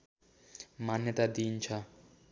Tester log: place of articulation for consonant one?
labial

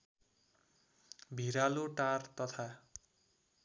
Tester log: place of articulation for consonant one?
labial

